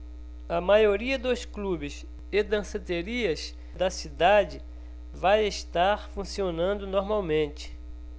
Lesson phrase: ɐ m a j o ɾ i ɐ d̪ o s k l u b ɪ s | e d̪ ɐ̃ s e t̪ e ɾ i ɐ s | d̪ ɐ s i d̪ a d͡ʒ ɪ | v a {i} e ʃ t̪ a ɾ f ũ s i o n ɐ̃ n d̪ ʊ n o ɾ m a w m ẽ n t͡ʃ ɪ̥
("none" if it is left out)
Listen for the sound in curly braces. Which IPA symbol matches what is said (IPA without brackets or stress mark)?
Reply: j